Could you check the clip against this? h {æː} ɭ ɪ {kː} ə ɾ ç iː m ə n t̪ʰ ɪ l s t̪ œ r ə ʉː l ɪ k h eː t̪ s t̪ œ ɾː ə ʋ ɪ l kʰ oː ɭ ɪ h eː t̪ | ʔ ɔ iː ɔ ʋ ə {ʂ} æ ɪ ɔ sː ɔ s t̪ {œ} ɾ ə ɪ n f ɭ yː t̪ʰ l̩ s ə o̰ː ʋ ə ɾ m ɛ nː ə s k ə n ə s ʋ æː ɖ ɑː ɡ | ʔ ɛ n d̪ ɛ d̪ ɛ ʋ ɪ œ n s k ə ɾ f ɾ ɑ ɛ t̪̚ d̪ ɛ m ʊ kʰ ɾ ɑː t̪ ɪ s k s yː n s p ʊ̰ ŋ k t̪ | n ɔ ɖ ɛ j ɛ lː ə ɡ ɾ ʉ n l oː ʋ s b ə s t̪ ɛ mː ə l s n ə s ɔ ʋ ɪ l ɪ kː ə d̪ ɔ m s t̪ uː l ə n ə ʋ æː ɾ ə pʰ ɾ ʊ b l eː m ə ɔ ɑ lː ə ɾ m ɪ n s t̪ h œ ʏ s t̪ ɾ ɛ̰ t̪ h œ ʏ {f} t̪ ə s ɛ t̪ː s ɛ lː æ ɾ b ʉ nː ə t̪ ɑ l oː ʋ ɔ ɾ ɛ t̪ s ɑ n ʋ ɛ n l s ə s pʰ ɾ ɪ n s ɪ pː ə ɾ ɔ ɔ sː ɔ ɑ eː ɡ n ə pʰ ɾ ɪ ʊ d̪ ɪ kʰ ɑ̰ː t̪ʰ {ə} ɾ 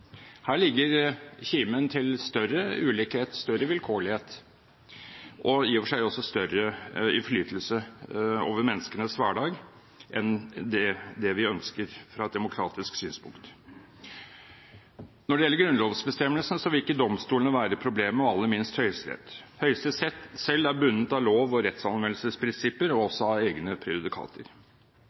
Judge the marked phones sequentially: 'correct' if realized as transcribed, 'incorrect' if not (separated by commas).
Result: correct, incorrect, correct, correct, incorrect, correct